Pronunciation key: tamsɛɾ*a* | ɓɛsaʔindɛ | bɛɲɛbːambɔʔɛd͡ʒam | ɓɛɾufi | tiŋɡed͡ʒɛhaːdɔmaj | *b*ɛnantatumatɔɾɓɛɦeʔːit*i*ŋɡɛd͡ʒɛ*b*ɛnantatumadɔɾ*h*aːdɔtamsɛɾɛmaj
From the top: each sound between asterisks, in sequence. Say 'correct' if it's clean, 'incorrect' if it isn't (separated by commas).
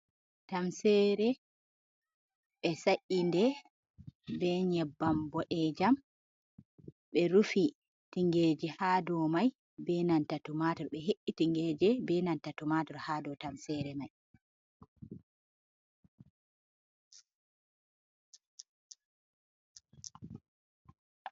incorrect, correct, correct, correct, correct